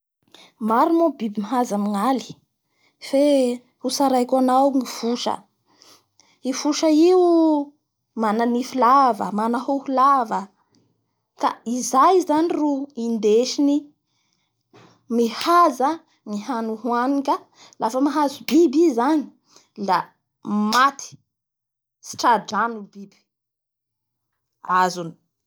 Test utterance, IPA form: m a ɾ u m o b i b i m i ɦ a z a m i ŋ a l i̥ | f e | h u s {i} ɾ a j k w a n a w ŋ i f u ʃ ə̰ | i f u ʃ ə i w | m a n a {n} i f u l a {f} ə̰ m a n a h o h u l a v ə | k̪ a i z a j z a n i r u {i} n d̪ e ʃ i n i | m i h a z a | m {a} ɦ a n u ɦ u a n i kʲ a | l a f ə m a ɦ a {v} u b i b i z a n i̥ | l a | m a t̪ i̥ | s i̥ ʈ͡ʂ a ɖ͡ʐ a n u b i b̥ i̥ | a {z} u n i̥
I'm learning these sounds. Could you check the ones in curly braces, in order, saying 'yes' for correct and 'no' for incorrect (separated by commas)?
no, yes, no, yes, no, no, yes